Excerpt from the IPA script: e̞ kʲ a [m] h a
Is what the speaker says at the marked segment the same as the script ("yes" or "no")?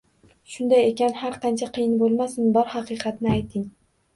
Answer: no